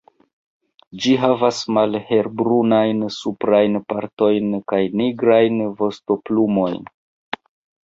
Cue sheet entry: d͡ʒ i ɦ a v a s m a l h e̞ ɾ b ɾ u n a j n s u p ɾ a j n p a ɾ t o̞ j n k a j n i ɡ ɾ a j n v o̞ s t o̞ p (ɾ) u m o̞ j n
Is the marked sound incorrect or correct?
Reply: incorrect